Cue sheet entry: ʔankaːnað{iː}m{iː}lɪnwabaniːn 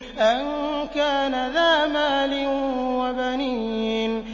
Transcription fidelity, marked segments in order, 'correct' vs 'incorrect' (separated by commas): incorrect, incorrect